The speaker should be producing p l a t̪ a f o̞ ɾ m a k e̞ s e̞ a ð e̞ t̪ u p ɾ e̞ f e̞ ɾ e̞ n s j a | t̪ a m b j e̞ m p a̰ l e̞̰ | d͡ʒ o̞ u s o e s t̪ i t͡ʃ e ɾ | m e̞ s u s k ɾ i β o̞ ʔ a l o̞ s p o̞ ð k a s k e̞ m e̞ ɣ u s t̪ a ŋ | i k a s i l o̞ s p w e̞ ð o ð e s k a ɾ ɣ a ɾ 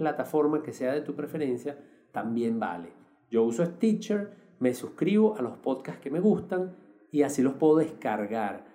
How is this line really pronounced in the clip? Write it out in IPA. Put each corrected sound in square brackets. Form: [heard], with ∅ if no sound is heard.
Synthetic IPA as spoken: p l a t̪ a f o̞ ɾ m a k e̞ s e̞ a ð e̞ t̪ u p ɾ e̞ f e̞ ɾ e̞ n s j a | t̪ a m b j e̞ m [b] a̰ l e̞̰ | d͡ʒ o̞ u s o e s t̪ i t͡ʃ e ɾ | m e̞ s u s k ɾ i β o̞ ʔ a l o̞ s p o̞ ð k a s k e̞ m e̞ ɣ u s t̪ a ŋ | i [∅] a s i l o̞ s p w e̞ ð o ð e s k a ɾ ɣ a ɾ